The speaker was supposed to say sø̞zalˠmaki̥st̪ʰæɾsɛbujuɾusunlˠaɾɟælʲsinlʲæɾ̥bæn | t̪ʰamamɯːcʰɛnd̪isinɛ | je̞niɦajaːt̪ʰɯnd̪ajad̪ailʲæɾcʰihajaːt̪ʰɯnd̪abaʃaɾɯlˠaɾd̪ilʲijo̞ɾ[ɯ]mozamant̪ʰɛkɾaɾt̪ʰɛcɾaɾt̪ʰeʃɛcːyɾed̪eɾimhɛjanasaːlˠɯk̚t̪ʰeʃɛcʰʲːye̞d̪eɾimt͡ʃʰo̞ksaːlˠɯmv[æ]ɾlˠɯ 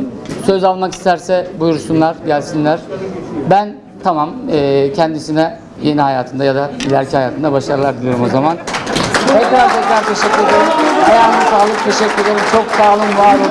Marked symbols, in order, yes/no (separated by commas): no, no